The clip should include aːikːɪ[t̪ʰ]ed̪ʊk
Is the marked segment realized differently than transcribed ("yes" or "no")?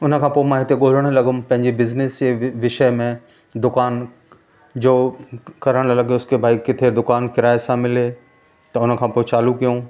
no